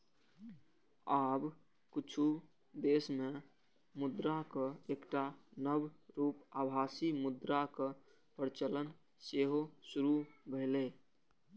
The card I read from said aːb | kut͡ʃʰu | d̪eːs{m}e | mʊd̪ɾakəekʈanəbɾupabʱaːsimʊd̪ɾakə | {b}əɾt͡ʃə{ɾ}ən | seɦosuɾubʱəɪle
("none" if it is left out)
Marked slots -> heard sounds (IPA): m, p, l

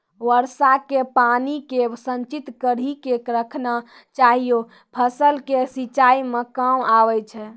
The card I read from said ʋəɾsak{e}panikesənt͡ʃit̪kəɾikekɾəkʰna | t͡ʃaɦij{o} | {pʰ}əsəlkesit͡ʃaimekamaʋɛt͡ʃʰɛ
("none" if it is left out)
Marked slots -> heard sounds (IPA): e, o, pʰ

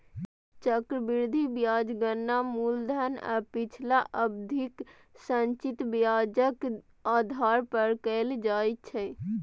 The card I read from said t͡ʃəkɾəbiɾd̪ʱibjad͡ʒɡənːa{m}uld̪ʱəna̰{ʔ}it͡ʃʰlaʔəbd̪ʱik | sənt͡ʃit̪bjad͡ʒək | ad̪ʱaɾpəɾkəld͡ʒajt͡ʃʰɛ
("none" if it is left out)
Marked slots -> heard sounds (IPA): m, p

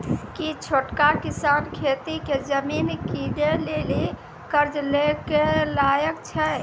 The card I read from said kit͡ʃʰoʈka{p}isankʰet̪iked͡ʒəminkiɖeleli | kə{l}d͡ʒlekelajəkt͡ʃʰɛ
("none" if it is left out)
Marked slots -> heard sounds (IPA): k, ɾ

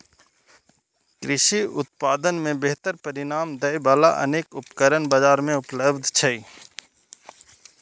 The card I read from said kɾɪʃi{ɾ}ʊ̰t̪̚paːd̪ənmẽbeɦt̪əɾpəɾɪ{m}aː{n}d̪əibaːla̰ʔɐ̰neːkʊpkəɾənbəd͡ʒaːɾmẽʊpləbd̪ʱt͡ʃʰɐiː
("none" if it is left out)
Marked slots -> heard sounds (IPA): none, n, m

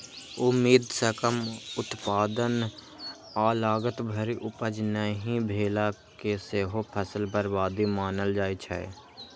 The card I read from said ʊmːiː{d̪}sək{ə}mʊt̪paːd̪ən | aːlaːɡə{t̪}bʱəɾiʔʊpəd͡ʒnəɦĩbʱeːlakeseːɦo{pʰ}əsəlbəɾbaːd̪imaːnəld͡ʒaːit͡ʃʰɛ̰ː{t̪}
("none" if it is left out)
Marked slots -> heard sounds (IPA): d̪, ə, t̪, pʰ, none

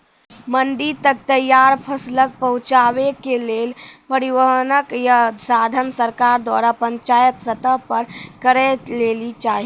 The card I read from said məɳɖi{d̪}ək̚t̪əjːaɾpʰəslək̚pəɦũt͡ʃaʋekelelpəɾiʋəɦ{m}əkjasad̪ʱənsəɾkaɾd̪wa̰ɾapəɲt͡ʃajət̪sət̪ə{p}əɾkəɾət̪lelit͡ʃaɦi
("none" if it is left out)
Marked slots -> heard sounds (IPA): t̪, n, p

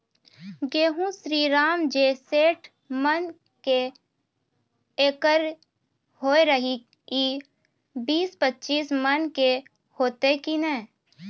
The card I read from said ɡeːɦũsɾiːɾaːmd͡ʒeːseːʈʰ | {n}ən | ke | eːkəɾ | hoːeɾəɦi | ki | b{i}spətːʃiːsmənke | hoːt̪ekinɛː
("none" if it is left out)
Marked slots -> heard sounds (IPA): m, iː

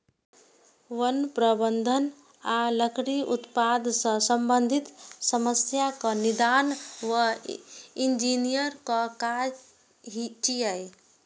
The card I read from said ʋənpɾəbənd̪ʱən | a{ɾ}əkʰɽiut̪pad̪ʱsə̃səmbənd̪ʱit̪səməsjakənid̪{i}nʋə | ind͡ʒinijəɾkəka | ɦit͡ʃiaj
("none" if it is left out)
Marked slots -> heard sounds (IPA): l, a

